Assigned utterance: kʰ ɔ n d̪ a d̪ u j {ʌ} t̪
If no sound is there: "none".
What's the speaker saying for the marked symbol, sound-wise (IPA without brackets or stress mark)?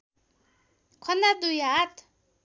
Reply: a